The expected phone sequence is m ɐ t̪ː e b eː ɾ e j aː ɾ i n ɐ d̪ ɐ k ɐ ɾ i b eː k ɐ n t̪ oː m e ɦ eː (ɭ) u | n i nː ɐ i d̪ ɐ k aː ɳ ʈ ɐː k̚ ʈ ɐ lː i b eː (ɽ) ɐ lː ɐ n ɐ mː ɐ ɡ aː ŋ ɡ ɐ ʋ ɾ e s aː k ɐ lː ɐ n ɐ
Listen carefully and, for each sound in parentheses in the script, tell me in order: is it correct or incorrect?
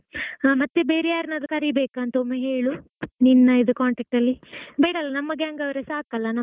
correct, correct

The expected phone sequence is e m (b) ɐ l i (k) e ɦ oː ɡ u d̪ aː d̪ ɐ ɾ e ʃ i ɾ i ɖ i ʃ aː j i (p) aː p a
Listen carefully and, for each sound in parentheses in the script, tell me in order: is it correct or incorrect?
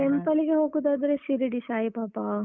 incorrect, incorrect, correct

